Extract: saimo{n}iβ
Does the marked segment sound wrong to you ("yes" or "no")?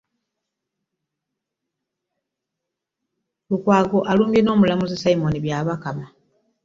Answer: no